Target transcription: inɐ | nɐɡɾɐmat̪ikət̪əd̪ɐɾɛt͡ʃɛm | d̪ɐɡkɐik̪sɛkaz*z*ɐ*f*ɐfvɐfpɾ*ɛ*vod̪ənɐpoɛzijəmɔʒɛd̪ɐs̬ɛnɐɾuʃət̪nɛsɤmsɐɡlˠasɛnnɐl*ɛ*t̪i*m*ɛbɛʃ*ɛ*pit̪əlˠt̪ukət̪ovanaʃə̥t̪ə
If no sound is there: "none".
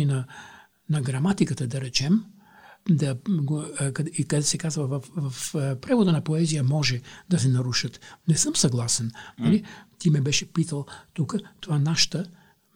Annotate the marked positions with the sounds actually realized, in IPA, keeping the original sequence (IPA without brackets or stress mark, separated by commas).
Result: v, v, ɛ, i, m, ɛ